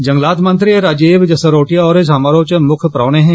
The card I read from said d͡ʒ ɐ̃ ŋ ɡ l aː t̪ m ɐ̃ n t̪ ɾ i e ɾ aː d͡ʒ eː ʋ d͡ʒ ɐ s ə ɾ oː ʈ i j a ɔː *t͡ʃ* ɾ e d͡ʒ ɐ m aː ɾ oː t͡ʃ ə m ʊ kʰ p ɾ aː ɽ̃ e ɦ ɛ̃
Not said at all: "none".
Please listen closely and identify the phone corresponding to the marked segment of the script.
none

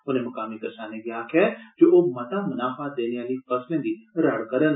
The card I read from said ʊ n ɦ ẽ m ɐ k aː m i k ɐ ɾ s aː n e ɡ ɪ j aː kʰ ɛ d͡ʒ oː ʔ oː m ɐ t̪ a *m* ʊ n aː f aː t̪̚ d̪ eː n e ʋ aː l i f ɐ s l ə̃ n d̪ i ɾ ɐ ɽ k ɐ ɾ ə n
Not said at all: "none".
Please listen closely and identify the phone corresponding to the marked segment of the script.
m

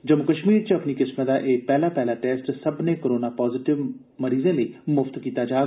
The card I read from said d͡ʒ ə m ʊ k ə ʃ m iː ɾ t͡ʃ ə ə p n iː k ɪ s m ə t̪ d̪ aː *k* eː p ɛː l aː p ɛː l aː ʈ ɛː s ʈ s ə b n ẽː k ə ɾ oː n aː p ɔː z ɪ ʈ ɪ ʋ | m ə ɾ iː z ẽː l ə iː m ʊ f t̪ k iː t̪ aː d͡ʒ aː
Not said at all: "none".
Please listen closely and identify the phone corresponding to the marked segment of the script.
ʔ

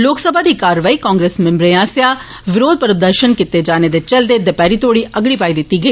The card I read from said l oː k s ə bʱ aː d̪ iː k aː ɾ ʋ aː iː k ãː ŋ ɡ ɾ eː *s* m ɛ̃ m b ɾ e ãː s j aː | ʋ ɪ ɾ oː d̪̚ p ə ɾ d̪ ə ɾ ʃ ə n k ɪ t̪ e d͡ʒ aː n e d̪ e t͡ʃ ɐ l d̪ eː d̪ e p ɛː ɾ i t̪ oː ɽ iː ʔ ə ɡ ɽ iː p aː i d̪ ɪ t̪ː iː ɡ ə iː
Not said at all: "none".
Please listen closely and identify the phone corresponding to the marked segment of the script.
s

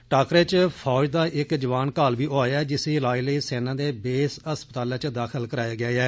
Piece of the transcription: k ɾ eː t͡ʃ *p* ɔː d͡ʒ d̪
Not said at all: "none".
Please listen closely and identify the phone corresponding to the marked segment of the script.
pʰ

